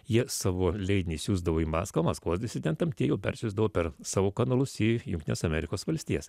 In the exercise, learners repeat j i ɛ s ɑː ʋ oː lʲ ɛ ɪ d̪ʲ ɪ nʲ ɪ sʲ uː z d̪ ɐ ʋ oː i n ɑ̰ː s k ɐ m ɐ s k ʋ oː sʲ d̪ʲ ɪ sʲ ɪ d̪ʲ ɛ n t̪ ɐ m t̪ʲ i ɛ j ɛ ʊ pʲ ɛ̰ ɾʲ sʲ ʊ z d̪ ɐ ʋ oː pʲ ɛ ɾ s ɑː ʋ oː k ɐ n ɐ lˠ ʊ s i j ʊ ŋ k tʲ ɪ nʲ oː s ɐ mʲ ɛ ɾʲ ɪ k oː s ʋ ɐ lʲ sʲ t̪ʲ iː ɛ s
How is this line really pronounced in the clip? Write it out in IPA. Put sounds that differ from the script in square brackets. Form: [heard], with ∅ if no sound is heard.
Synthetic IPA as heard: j i ɛ s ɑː ʋ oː lʲ ɛ ɪ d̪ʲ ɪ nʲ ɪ sʲ uː z d̪ ɐ ʋ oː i [m] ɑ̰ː s k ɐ m ɐ s k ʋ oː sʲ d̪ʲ ɪ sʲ ɪ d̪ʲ ɛ n t̪ ɐ m t̪ʲ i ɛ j ɛ ʊ pʲ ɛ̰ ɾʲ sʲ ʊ z d̪ ɐ ʋ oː pʲ ɛ ɾ s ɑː ʋ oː k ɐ n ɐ lˠ ʊ s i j ʊ ŋ k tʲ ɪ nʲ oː s ɐ mʲ ɛ ɾʲ ɪ k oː s ʋ ɐ lʲ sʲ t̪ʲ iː ɛ s